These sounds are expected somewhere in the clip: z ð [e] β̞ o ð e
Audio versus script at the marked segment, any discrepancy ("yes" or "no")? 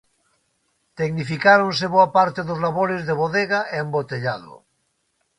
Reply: no